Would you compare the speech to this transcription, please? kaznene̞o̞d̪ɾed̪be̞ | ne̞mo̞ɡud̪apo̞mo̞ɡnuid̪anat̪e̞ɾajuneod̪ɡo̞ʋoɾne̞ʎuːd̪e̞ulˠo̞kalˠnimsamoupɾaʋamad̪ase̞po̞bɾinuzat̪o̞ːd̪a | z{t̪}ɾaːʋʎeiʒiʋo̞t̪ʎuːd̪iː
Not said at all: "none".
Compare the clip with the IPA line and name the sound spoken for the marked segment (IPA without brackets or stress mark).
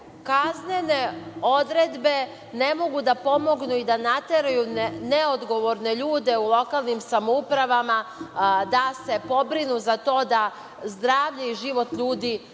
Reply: d̪